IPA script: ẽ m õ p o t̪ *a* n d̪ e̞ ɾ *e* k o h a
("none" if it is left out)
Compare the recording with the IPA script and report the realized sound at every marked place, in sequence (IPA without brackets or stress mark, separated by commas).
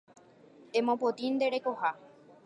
i, e